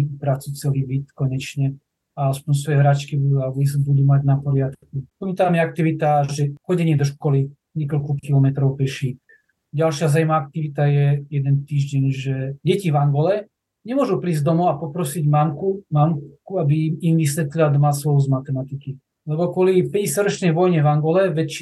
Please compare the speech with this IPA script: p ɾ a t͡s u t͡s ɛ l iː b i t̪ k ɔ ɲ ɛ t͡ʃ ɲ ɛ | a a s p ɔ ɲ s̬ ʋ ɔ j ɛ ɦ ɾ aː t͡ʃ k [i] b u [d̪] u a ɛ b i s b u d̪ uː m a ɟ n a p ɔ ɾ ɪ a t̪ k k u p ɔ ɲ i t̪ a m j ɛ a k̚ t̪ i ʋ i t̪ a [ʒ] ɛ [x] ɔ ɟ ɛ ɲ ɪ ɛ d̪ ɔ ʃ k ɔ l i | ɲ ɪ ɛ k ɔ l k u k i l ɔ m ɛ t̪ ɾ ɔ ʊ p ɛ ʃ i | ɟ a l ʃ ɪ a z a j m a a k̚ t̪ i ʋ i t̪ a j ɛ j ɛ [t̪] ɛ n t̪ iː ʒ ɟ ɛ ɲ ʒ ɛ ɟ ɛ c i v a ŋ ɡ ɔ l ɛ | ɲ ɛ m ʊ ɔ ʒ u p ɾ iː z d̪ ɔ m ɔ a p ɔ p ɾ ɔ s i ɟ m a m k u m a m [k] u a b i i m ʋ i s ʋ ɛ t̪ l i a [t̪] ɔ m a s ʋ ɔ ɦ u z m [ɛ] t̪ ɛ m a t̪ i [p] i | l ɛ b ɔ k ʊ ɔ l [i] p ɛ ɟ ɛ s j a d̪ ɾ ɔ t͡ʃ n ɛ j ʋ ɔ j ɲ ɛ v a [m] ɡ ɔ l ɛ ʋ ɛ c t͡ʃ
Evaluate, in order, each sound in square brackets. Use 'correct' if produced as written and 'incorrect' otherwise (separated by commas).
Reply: correct, correct, correct, correct, incorrect, correct, incorrect, incorrect, incorrect, correct, incorrect